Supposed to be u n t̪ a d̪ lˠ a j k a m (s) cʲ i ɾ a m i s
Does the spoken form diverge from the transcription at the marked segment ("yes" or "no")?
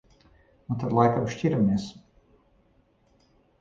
yes